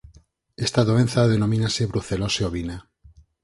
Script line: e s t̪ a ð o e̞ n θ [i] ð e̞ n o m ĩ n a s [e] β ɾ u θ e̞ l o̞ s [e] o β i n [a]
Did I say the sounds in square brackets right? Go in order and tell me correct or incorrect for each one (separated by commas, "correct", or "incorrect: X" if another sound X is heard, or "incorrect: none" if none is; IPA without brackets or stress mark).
incorrect: a, correct, correct, correct